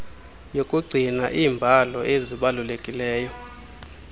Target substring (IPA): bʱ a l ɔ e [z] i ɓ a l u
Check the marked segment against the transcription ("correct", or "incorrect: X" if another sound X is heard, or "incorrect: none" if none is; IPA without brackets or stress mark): correct